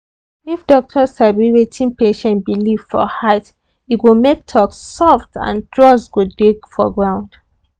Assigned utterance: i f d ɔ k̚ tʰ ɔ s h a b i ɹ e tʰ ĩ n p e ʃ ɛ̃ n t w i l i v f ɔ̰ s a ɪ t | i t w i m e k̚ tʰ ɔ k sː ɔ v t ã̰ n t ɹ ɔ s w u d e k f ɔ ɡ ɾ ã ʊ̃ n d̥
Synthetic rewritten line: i f d ɔ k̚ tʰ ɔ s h a b i ɹ e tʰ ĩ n p e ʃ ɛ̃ n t b i l i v f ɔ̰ h a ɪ t | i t w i m e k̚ tʰ ɔ k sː ɔ f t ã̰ n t ɹ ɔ s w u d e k f ɔ ɡ ɹ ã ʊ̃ n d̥